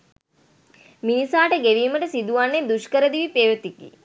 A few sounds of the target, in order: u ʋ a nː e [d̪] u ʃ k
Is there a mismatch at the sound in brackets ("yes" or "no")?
no